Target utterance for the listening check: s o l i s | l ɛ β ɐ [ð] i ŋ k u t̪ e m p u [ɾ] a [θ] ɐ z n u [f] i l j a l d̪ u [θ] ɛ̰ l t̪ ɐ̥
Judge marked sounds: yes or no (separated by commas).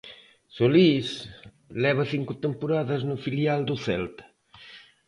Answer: no, yes, no, yes, yes